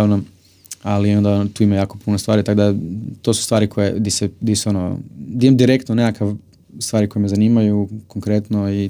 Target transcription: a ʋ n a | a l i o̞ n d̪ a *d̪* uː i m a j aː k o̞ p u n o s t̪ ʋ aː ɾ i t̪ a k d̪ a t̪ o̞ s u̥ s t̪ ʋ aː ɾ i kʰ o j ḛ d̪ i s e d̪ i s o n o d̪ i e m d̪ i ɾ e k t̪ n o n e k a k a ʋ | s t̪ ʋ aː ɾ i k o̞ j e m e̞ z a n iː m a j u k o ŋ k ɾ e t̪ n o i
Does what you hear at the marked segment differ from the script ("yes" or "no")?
yes